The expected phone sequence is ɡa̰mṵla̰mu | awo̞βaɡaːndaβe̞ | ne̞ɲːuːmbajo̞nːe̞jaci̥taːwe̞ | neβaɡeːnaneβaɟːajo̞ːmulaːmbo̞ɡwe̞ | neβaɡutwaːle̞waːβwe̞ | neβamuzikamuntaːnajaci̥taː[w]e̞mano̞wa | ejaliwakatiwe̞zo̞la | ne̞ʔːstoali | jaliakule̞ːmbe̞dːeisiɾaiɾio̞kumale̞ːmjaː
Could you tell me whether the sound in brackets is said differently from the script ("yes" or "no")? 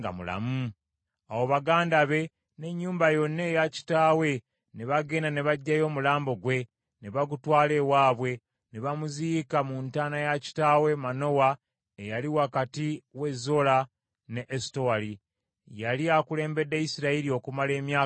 no